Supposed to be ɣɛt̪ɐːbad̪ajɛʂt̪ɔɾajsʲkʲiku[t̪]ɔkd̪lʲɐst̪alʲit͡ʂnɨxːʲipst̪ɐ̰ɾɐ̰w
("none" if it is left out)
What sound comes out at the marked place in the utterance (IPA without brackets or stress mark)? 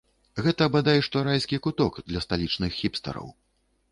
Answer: t̪